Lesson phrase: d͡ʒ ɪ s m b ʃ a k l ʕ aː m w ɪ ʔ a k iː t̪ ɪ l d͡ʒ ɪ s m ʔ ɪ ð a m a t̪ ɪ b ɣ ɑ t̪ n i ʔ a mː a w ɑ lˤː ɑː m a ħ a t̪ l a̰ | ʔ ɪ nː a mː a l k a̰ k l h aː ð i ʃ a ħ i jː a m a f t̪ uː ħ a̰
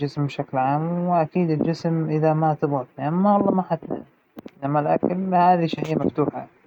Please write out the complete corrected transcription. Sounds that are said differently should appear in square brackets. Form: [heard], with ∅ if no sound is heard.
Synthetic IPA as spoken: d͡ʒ ɪ s m b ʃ a k l ʕ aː m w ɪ ʔ a k iː [d̪] ɪ l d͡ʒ ɪ s m ʔ ɪ ð a m a t̪ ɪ b ɣ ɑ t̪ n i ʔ a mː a w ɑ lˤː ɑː m a ħ a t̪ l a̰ | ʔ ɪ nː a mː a l [ʔ] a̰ k l h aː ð i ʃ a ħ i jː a m a f t̪ uː ħ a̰